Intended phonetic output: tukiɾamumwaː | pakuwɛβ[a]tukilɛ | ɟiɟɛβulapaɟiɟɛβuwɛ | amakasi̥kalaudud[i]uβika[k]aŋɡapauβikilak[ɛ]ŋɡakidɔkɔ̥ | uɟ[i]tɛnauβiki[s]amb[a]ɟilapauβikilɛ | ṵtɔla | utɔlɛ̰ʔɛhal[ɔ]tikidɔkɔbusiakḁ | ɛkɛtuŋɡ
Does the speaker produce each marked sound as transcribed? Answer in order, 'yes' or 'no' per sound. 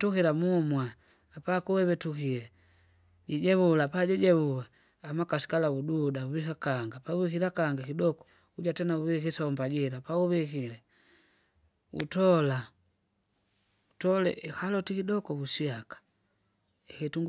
no, no, yes, no, no, yes, yes, yes

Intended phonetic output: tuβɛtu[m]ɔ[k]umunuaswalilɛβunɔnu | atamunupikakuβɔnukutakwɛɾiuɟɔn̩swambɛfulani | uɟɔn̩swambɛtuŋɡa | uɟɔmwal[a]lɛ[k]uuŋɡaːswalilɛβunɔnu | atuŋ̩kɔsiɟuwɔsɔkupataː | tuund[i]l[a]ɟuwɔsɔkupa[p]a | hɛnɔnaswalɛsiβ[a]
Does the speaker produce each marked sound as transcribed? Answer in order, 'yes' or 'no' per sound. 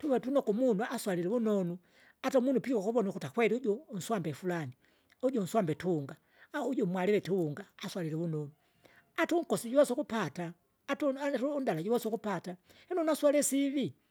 no, yes, no, no, no, yes, no, no

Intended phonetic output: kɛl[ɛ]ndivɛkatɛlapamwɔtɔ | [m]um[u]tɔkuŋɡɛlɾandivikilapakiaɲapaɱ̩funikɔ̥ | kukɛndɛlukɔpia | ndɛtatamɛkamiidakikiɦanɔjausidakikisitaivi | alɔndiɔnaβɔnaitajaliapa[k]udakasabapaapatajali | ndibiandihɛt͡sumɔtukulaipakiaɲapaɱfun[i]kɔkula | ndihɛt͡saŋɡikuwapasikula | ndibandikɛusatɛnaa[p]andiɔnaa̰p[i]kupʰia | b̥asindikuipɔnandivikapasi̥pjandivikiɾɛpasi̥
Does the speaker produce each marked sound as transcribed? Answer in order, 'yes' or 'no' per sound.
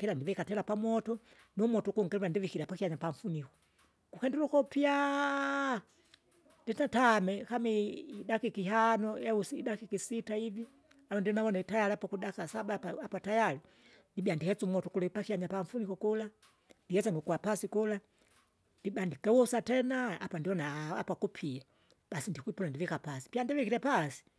no, no, no, yes, yes, yes, no

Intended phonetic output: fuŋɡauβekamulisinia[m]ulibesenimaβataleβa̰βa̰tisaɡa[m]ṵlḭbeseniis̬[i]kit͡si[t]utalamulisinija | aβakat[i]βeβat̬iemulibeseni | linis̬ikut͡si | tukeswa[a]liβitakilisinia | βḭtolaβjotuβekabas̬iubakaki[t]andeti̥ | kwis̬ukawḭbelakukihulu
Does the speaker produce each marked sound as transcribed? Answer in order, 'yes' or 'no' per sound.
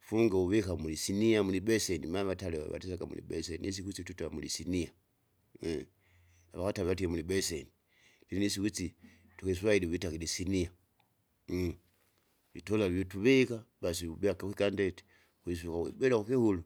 yes, yes, yes, yes, no, no, no

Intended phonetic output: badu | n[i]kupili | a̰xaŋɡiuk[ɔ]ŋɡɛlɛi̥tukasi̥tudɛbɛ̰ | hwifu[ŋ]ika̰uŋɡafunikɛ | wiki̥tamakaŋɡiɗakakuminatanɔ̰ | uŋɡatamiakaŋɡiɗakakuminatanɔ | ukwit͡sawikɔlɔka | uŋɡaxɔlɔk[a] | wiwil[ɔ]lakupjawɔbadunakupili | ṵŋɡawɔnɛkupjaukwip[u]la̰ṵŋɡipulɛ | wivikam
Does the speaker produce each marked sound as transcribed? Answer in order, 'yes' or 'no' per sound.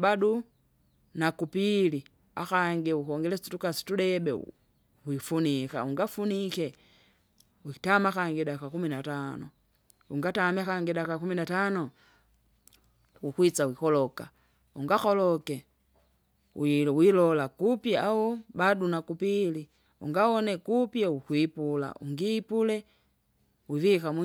no, yes, no, no, yes, yes

